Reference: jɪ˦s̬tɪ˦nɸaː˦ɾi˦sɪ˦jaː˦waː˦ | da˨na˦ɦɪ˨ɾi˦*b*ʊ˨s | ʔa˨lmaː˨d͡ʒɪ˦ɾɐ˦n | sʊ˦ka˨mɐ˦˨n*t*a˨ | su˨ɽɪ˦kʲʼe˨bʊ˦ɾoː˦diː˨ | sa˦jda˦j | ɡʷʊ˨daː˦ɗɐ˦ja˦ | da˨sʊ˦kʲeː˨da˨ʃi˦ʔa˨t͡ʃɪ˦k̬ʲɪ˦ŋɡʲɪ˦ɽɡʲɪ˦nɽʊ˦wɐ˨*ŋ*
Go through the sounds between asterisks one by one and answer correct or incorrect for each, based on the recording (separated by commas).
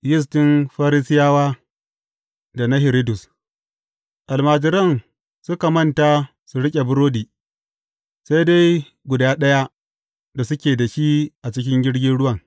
incorrect, correct, correct